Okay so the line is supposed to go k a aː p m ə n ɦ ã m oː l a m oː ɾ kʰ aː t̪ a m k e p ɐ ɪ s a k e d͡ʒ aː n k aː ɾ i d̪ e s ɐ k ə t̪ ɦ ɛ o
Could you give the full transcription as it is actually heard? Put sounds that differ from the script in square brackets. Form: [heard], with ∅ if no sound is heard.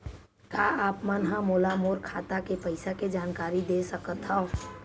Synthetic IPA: k a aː p m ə n ɦ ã m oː l a m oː ɾ kʰ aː t̪ a [∅] k e p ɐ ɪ s a k e d͡ʒ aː n k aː ɾ i d̪ e s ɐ k ə t̪ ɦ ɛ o